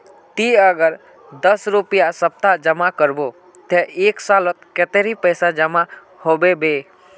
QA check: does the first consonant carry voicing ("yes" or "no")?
no